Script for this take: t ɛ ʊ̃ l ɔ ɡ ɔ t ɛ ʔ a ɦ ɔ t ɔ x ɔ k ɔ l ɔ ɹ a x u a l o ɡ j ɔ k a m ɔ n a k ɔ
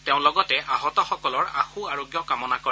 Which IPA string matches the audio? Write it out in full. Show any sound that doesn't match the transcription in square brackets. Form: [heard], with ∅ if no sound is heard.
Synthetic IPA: t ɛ ʊ̃ l ɔ ɡ ɔ t ɛ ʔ a ɦ ɔ t ɔ x ɔ k ɔ l ɔ ɹ a x u a [ɹ] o ɡ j ɔ k a m ɔ n a k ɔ